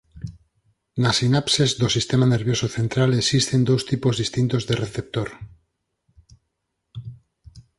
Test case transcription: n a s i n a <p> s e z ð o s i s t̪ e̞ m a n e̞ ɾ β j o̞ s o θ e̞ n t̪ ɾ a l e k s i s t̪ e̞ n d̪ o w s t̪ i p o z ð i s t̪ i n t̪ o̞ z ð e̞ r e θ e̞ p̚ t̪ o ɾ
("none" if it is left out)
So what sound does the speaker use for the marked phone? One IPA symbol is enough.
p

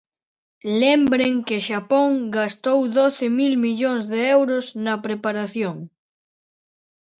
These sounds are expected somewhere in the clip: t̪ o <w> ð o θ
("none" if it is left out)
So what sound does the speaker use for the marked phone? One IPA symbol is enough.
w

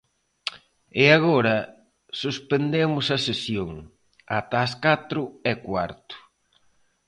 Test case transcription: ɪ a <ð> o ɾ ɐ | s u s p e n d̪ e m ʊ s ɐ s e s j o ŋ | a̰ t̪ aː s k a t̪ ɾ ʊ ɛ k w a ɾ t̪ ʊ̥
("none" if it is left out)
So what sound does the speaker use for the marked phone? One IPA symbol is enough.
ɣ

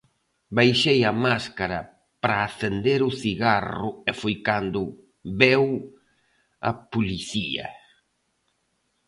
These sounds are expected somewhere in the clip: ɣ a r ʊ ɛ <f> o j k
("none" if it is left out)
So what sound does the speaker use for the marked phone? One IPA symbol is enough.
f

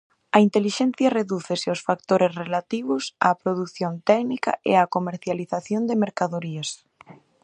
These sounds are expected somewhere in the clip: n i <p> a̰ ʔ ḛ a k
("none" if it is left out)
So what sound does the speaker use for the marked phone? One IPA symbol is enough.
k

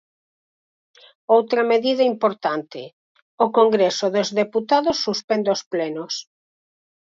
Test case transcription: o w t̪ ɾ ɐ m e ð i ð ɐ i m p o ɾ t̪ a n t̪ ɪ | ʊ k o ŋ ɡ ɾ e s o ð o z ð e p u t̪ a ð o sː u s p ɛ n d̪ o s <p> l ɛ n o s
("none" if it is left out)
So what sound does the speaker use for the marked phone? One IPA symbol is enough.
p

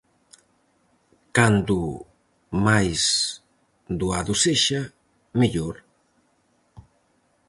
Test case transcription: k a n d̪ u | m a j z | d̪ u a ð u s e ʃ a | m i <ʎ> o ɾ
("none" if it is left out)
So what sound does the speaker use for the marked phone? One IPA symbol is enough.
ʎ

